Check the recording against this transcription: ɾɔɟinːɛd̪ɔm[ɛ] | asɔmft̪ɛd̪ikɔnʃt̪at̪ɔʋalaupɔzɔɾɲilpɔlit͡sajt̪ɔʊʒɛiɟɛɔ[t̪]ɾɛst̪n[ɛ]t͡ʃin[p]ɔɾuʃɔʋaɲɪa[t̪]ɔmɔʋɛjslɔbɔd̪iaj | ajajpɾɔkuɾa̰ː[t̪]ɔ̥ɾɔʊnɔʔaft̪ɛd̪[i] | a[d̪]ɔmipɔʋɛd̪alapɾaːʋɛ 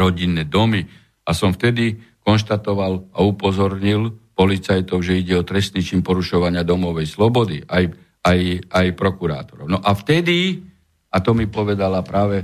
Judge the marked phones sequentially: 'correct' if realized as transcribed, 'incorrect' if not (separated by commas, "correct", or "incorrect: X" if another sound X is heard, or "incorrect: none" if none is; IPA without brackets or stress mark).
incorrect: i, correct, incorrect: i, correct, incorrect: d̪, correct, correct, incorrect: t̪